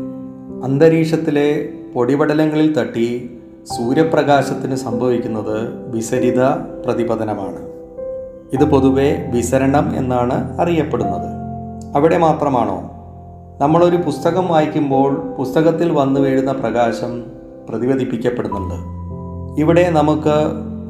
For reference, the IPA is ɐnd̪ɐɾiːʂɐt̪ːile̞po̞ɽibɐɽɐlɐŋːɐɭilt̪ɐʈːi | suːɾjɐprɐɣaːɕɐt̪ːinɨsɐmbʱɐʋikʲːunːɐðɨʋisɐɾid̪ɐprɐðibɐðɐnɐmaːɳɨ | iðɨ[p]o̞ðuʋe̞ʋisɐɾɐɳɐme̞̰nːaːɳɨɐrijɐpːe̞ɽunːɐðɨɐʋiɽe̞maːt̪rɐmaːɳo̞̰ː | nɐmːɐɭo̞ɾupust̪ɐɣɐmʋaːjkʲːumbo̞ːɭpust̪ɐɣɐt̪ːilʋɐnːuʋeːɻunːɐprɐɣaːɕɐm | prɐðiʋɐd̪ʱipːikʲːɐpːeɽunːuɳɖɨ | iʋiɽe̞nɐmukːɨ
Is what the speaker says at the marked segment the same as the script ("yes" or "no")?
yes